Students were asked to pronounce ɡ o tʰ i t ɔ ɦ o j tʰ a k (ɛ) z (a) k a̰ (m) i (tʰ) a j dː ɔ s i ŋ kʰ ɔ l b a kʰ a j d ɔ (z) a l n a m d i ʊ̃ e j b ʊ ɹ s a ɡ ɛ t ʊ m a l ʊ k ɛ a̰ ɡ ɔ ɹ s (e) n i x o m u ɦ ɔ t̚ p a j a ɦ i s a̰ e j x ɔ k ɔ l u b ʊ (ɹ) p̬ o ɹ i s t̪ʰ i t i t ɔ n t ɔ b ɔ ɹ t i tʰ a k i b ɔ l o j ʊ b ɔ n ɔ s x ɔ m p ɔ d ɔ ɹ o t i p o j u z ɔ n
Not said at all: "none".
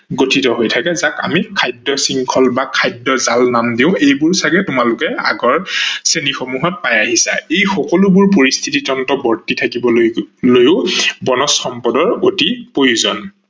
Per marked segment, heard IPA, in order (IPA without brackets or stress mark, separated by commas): ɛ, a, m, kʰ, z, e, ɹ